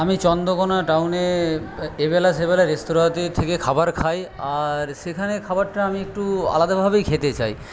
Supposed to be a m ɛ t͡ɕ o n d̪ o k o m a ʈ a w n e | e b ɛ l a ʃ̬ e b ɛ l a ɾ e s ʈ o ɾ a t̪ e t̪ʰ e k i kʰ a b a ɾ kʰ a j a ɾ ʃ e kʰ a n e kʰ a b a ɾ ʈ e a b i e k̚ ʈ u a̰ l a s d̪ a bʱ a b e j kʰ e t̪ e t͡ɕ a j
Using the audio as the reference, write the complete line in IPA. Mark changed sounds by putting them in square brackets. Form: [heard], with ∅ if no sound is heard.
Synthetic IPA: a m [i] t͡ɕ [ɔ] n d̪ o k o [n] a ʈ a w n e | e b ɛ l a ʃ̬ e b ɛ l a ɾ e s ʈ o ɾ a t̪ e t̪ʰ e k [e] kʰ a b a ɾ kʰ a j a ɾ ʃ e kʰ a n e kʰ a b a ɾ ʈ [a] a [m] i e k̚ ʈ u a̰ l a [∅] d̪ a bʱ a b e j kʰ e t̪ e t͡ɕ a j